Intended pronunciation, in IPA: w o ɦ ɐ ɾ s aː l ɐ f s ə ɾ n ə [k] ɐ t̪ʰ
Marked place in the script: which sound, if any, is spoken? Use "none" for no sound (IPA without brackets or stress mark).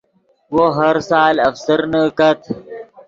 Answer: k